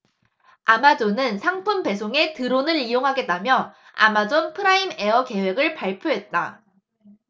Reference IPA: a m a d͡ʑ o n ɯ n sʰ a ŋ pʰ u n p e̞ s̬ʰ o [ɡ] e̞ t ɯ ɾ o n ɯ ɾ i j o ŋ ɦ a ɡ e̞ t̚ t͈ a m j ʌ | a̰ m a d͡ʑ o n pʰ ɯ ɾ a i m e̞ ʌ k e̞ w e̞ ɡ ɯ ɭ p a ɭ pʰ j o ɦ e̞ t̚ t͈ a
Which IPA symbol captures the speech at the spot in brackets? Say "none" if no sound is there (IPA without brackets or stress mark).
ŋ